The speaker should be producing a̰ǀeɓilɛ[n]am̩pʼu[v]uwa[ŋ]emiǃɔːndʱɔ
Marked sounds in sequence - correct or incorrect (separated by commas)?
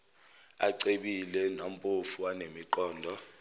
correct, incorrect, incorrect